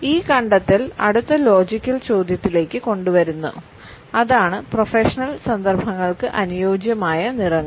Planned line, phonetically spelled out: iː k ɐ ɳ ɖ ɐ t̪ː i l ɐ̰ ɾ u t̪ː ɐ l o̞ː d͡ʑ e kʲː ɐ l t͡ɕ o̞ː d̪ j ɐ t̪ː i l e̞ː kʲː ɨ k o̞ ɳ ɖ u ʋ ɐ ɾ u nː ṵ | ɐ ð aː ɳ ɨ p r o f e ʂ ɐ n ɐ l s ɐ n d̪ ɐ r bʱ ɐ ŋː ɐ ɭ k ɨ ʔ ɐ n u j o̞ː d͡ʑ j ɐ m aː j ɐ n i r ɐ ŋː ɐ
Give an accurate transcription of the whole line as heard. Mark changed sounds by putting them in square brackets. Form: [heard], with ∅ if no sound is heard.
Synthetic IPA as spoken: iː k ɐ ɳ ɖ ɐ t̪ː i l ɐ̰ [ɽ] u t̪ː ɐ l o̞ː d͡ʑ [i] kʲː ɐ l t͡ɕ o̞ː d̪ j ɐ t̪ː i l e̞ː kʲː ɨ k o̞ ɳ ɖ u ʋ ɐ ɾ u nː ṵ | ɐ ð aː ɳ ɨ p r o f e ʂ ɐ n ɐ l s ɐ n d̪ ɐ r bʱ ɐ ŋː ɐ ɭ k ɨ ʔ ɐ n u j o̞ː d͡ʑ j ɐ m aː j ɐ n i r ɐ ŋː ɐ

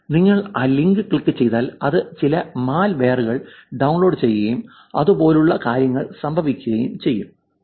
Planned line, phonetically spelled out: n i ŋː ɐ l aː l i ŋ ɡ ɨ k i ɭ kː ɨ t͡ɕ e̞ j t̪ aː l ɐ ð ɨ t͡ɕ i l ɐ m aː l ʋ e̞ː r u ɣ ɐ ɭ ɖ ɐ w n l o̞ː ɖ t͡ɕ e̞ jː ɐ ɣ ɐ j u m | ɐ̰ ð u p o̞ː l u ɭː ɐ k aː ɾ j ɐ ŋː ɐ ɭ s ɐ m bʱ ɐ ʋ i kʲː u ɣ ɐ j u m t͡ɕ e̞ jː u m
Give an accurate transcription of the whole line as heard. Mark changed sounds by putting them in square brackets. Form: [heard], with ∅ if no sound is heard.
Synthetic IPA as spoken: n i ŋː ɐ [ɭ] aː l i ŋ ɡ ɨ k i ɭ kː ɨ t͡ɕ e̞ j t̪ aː l ɐ ð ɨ t͡ɕ i l ɐ m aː l ʋ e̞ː r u ɣ ɐ ɭ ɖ ɐ w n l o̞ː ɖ t͡ɕ e̞ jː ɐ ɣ ɐ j u m | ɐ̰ ð u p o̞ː l u ɭː ɐ k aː ɾ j ɐ ŋː ɐ ɭ s ɐ m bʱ ɐ ʋ i kʲː u ɣ ɐ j u m t͡ɕ e̞ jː u m

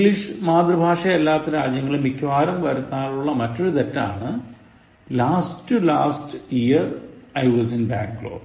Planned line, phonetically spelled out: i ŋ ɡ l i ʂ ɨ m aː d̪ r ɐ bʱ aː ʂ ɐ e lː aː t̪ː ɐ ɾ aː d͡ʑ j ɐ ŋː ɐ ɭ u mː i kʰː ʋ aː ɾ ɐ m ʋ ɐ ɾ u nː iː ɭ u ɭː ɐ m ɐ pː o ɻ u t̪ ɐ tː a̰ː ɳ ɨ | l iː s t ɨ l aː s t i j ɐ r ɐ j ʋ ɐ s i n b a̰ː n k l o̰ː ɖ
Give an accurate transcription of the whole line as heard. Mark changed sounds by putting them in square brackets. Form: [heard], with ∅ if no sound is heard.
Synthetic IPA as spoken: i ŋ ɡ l i ʂ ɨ m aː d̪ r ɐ bʱ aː ʂ ɐ e lː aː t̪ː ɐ ɾ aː d͡ʑ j ɐ ŋː ɐ ɭ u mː i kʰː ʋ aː ɾ ɐ m ʋ ɐ ɾ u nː [aː] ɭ u ɭː ɐ m ɐ [tː] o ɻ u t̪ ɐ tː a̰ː ɳ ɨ | l [aː] s t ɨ l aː s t i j ɐ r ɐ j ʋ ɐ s i n b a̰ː [ŋ] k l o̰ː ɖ

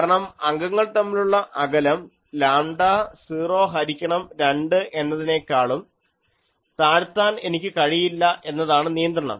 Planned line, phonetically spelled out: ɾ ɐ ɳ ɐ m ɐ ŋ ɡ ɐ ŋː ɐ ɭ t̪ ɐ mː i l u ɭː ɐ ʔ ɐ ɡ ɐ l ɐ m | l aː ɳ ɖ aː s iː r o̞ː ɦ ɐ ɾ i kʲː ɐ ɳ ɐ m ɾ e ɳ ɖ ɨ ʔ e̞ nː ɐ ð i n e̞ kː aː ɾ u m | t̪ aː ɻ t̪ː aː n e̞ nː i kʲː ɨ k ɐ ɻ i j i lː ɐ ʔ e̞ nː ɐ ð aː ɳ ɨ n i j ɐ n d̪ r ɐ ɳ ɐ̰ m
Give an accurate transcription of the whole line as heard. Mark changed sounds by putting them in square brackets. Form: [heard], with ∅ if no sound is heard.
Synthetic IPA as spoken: ɾ ɐ ɳ ɐ m ɐ ŋ ɡ ɐ ŋː ɐ ɭ t̪ ɐ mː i l u ɭː ɐ ʔ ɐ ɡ ɐ l ɐ m | l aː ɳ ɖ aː s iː r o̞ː ɦ ɐ ɾ i kʲː ɐ ɳ ɐ m ɾ e ɳ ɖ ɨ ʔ e̞ nː ɐ ð i n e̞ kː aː [ɭ] u m | t̪ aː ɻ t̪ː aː n e̞ [n] i kʲː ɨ k ɐ ɻ i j i lː ɐ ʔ e̞ nː ɐ ð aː ɳ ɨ n i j ɐ n d̪ r ɐ ɳ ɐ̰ m

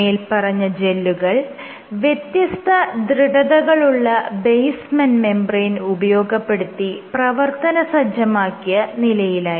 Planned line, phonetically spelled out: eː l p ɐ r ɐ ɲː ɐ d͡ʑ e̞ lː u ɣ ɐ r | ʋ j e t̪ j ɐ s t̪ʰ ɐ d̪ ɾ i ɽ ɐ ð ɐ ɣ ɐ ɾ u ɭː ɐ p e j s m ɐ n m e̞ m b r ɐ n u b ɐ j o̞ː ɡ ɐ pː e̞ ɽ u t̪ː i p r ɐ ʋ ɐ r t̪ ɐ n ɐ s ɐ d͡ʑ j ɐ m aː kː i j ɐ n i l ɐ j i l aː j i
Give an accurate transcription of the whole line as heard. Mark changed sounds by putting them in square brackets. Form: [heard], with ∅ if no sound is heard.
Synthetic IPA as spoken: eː l p ɐ r ɐ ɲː ɐ d͡ʑ e̞ lː u ɣ ɐ [ɭ] | ʋ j e t̪ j ɐ s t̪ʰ ɐ d̪ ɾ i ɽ ɐ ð ɐ ɣ ɐ [ɭ] u ɭː ɐ [b] e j s m ɐ n m e̞ m b r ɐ n u b ɐ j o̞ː ɡ ɐ pː e̞ ɽ u t̪ː i p r ɐ ʋ ɐ r t̪ ɐ n ɐ s ɐ d͡ʑ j ɐ m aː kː i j ɐ n i l ɐ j i l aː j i

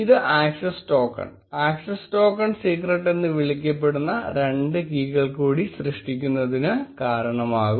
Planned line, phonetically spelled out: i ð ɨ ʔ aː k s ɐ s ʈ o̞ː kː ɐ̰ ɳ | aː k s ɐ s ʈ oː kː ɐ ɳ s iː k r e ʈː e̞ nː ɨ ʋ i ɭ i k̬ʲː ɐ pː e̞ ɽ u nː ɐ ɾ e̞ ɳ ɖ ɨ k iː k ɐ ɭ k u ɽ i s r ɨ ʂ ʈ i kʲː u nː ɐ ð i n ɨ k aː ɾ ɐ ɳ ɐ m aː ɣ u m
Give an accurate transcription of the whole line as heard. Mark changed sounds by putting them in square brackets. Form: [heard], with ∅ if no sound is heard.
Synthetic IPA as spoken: i ð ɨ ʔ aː k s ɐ s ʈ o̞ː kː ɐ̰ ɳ | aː k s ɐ s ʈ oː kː ɐ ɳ s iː k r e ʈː e̞ nː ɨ ʋ i ɭ i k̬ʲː ɐ pː e̞ ɽ u nː ɐ ɾ e̞ ɳ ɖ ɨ k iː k ɐ ɭ k [uː] ɽ i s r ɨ ʂ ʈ i kʲː u nː ɐ ð i n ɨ k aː ɾ ɐ ɳ ɐ m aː ɣ u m

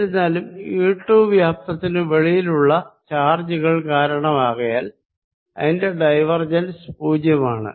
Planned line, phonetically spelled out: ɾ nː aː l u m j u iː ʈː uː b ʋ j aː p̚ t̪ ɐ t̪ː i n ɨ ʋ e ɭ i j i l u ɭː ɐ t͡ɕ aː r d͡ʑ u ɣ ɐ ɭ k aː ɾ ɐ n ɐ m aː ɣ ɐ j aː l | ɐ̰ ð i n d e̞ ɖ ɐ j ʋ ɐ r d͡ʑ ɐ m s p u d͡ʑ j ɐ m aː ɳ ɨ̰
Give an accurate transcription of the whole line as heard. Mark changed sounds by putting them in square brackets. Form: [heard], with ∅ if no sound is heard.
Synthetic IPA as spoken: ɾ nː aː l u m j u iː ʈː uː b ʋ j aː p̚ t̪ ɐ t̪ː i n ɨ ʋ e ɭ i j i l u ɭː ɐ t͡ɕ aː r d͡ʑ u ɣ ɐ ɭ k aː ɾ ɐ [ɳ] ɐ m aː ɣ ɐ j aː l | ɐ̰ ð i n d e̞ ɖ ɐ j ʋ ɐ r d͡ʑ ɐ [n] s p [uː] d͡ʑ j ɐ m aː ɳ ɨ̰

